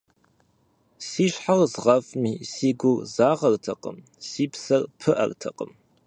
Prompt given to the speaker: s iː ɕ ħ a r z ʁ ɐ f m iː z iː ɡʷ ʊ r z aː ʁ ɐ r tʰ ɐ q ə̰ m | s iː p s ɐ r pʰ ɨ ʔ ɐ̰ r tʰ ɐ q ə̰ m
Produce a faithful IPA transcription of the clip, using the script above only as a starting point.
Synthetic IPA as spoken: s iː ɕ ħ a r z ʁ ɐ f m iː s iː ɡʷ ʊ r z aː ʁ ɐ r tʰ ɐ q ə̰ m | s iː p s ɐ r pʰ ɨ ʔ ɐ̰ r tʰ ɐ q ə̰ m